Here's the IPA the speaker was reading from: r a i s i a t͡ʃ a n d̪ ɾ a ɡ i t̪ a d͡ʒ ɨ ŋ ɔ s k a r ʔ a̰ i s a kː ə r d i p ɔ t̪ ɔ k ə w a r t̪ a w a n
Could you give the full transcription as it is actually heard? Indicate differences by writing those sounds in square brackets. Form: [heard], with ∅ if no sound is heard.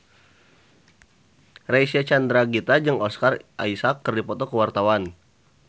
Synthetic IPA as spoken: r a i s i a t͡ʃ a n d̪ ɾ a ɡ i t̪ a d͡ʒ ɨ ŋ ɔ s k a r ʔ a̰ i s a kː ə r d i p ɔ t̪ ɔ k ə w a r t̪ a w a n